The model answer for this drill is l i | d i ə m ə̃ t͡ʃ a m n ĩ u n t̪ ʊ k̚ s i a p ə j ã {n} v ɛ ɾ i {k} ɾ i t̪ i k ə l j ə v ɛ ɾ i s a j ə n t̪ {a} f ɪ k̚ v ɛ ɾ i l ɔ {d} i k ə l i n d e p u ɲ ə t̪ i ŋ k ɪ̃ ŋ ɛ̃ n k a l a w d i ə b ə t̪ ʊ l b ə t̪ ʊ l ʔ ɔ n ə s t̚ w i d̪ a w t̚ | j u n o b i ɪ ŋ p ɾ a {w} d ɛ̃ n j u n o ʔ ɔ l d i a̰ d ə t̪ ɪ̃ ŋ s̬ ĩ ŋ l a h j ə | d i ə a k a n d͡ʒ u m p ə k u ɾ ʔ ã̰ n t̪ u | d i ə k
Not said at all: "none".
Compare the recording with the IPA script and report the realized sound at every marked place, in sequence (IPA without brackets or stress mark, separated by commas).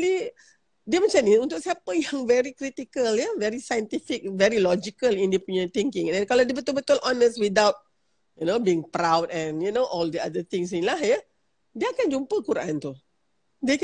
ŋ, k, i, d͡ʒ, w